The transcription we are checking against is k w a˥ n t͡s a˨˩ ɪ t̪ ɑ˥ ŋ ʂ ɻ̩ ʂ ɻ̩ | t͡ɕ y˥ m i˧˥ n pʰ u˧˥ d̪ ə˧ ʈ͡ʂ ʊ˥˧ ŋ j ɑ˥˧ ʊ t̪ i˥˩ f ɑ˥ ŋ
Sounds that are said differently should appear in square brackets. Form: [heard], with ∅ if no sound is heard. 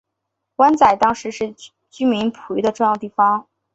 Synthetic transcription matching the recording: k w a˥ n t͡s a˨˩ ɪ t̪ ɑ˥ ŋ ʂ ɻ̩ ʂ ɻ̩ | t͡ɕ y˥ m i˧˥ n pʰ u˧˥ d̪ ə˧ ʈ͡ʂ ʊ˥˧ ŋ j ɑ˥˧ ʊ t̪ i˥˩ f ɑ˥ ŋ